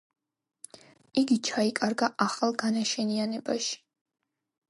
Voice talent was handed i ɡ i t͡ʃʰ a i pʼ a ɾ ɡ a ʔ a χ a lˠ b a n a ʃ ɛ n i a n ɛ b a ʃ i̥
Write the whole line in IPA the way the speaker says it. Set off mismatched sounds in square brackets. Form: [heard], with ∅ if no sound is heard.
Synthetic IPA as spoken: i ɡ i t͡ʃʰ a i [kʼ] a ɾ ɡ a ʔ a χ a lˠ [ɡ] a n a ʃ ɛ n i a n ɛ b a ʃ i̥